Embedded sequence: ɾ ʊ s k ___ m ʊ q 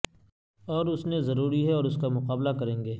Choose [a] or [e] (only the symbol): a